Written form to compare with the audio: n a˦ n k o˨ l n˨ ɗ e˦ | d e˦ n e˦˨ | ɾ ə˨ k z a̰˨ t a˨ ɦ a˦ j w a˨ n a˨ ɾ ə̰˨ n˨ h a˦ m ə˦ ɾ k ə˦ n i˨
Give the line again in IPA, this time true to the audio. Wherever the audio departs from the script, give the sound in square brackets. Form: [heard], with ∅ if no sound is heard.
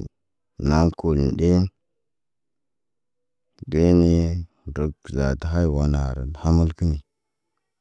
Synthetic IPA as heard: n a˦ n k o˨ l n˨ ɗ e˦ | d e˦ n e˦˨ | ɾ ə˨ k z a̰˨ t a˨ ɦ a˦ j w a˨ n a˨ ɾ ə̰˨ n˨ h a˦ m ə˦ [l] k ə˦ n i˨